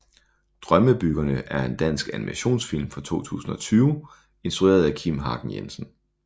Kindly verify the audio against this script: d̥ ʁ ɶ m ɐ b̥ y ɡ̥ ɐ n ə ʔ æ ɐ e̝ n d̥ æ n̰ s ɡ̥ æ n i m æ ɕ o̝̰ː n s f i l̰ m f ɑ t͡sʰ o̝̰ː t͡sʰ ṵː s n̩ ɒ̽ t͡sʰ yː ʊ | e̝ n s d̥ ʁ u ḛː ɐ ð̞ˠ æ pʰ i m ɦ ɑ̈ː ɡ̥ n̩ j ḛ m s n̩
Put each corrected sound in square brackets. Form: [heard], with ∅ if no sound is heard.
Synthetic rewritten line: d̥ ʁ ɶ m [ə] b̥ y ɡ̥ ɐ n ə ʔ æ ɐ e̝ n d̥ æ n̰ s ɡ̥ æ n i m æ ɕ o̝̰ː n s f i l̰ m f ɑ t͡sʰ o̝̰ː t͡sʰ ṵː s n̩ ɒ̽ t͡sʰ yː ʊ | e̝ n s d̥ ʁ u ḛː ɐ ð̞ˠ æ [kʰ] i m ɦ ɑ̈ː ɡ̥ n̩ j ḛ m s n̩